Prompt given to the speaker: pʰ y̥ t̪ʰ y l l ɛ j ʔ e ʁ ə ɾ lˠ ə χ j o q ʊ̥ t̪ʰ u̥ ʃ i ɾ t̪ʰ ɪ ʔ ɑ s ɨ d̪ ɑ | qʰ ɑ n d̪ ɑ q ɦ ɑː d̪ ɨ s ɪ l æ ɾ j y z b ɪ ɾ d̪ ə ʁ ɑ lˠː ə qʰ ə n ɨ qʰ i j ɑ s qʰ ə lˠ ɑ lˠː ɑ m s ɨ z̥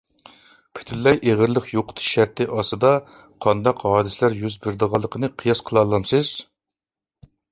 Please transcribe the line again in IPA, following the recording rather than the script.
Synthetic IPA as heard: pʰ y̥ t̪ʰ y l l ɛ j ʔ e ʁ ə ɾ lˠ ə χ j o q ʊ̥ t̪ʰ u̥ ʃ æ ɾ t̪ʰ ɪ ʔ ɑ s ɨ d̪ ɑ | qʰ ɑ n d̪ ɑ q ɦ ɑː d̪ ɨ s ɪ l æ ɾ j y z b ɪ ɾ d̪ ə ʁ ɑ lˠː ə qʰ ə n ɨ qʰ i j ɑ s qʰ ə lˠ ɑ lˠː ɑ m s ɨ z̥

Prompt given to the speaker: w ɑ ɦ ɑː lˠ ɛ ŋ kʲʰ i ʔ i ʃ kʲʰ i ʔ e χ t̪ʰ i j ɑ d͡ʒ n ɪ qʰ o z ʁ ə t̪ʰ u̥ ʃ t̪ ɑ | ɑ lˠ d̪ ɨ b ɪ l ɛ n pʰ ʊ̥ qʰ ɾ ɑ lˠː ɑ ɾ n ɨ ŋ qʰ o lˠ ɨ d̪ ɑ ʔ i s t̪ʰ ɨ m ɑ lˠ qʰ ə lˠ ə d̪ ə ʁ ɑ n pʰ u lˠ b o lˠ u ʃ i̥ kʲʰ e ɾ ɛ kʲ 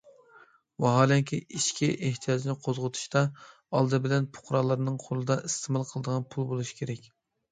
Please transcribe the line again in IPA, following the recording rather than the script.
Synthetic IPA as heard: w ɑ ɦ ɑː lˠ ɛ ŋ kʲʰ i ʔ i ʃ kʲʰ i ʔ e h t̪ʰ i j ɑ d͡ʒ n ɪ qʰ o z ʁ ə t̪ʰ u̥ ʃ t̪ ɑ | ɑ lˠ d̪ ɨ b ɪ l ɛ n pʰ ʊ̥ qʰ ɾ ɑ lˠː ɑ ɾ n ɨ ŋ qʰ o lˠ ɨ d̪ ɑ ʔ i s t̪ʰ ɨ m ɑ lˠ qʰ ə lˠ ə d̪ ə ʁ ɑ n pʰ u lˠ b o lˠ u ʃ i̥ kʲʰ e ɾ ɛ kʲ

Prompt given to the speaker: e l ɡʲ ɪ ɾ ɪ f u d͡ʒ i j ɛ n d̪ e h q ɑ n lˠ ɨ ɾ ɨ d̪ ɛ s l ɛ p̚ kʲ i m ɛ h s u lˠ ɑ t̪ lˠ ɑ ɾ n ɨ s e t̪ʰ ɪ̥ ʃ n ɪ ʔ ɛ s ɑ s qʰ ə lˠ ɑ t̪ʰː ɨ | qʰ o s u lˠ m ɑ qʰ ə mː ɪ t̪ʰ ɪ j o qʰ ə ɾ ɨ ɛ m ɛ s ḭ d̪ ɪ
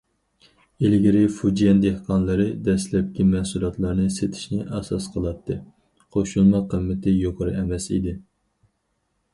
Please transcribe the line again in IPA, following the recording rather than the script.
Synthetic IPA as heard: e l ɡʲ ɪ ɾ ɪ f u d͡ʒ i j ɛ n d̪ e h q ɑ n lˠ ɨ ɾ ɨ d̪ ɛ s l ɛ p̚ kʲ i m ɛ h s u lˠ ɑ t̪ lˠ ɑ ɾ n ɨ s e t̪ʰ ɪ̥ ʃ n ɪ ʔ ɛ s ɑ s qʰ ə lˠ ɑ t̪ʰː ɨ | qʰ o ʃ u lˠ m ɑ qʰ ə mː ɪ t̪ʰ ɪ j o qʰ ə ɾ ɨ ɛ m ɛ s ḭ d̪ ɪ

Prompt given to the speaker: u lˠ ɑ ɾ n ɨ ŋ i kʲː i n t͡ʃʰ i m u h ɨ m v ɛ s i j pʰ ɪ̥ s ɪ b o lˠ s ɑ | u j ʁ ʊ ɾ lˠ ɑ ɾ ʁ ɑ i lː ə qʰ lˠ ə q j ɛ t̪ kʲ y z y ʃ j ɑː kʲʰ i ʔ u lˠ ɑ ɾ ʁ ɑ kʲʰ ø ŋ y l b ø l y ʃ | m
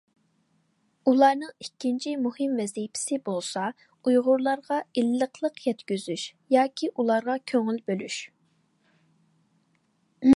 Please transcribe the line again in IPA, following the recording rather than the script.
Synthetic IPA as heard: u lˠ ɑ ɾ n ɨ ŋ i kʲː i n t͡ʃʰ i m u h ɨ m v ɛ z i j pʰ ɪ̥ s ɪ b o lˠ s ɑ | u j ʁ ʊ ɾ lˠ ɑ ɾ ʁ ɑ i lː ə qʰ lˠ ə q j ɛ t̪ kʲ y z y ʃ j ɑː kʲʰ i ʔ u lˠ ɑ ɾ ʁ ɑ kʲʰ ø ŋ y l b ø l y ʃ | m

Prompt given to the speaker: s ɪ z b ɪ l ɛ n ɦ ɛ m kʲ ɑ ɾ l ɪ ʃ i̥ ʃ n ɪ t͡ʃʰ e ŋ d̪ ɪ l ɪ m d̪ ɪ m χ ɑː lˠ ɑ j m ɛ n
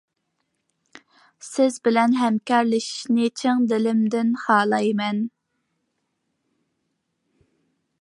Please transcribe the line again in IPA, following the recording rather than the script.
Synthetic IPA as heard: s ɪ z b ɪ l ɛ n ɦ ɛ m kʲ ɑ ɾ l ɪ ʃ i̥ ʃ n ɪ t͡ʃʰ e ŋ d̪ ɪ l ɪ m d̪ ɪ n χ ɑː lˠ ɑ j m ɛ n

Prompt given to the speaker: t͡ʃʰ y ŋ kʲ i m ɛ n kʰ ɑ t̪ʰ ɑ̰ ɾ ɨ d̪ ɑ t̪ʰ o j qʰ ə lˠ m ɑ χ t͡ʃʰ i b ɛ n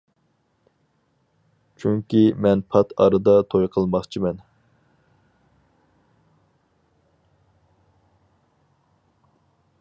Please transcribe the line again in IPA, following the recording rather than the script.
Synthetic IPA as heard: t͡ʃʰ y ŋ kʲ i m ɛ n pʰ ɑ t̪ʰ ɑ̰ ɾ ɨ d̪ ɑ t̪ʰ o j qʰ ə lˠ m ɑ χ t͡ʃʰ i m ɛ n

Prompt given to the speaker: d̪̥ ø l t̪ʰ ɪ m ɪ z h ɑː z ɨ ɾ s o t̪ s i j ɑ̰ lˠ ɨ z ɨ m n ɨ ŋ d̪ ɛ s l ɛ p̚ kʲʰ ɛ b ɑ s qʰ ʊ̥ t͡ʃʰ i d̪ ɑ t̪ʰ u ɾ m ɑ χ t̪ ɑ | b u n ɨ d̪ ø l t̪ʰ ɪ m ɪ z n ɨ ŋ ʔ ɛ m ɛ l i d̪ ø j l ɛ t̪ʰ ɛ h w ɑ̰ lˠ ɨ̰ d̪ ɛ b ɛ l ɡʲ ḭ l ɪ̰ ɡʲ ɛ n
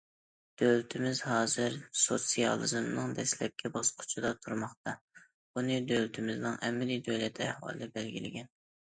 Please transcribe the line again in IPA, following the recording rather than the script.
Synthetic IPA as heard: d̪̥ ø l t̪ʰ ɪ m ɪ z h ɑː z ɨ ɾ s o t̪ s i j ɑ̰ lˠ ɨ z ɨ m n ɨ ŋ d̪ ɛ s l ɛ p̚ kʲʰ ɛ b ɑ s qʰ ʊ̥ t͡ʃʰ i d̪ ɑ t̪ʰ u ɾ m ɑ χ t̪ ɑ | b u n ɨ d̪ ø l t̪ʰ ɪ m ɪ z n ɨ ŋ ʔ ɛ m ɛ l i d̪ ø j l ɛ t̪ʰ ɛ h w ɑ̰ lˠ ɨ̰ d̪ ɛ b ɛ l ɡʲ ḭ l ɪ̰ ɡʲ ɛ n

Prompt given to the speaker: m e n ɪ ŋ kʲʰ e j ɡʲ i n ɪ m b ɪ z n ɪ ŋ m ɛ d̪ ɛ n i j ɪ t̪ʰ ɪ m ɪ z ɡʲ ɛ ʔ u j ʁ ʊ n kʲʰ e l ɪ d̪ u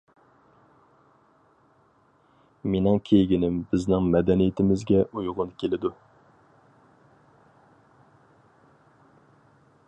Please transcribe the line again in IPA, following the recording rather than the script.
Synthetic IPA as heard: m e n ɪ ŋ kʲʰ e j ɡʲ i n ɪ m b ɪ z n ɪ ŋ m ɛ d̪ ɛ n i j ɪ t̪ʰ ɪ m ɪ z ɡʲ ɛ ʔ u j ʁ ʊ n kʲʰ e l ɪ d̪ u

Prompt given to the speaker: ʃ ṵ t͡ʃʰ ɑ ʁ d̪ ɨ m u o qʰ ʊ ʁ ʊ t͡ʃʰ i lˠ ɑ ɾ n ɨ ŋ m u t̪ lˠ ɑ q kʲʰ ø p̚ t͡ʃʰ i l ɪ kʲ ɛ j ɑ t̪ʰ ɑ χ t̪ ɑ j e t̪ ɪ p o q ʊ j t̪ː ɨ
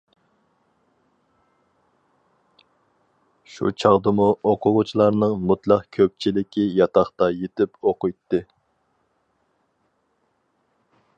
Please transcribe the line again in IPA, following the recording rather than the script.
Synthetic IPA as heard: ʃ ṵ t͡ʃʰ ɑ ʁ d̪ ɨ m u o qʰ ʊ ʁ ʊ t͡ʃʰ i lˠ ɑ ɾ n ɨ ŋ m u t̪ lˠ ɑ q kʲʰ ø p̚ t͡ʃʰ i l ɪ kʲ i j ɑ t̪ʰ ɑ χ t̪ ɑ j e t̪ ɪ p o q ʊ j t̪ː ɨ

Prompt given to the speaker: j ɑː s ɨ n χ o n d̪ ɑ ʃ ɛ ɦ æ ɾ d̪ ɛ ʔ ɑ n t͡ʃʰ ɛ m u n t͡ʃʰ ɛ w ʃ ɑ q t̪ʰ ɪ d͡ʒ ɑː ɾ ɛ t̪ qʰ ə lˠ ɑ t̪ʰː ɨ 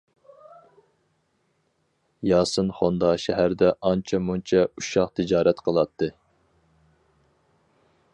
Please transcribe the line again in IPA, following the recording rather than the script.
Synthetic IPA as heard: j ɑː s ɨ n χ o n d̪ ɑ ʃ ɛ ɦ æ ɾ d̪ ɛ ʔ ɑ n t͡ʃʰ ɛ m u n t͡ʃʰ ɛ u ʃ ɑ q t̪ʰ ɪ d͡ʒ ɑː ɾ ɛ t̪ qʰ ə lˠ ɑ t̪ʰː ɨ

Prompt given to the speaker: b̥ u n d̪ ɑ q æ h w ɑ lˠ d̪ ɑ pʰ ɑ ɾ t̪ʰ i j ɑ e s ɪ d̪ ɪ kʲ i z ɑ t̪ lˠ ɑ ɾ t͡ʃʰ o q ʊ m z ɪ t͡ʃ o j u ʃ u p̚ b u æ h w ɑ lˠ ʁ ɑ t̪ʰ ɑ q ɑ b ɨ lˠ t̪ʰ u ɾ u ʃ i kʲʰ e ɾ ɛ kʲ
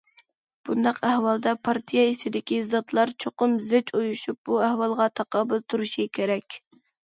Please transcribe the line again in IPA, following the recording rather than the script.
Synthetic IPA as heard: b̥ u n d̪ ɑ q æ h w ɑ lˠ d̪ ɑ pʰ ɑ ɾ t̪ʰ i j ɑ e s ɪ d̪ ɪ kʲ i z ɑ t̪ lˠ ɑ ɾ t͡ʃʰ o q ʊ m z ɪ t͡ʃ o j u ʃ u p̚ b u æ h w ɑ lˠ ʁ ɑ t̪ʰ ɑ q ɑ b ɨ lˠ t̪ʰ u ɾ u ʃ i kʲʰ e ɾ ɛ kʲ

